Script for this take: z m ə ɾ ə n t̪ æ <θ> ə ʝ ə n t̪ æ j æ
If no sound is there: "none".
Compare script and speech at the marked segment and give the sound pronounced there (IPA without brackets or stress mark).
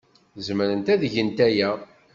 ð